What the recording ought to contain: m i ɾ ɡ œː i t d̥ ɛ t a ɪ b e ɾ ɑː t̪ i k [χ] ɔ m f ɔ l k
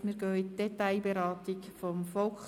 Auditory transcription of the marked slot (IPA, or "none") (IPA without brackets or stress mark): f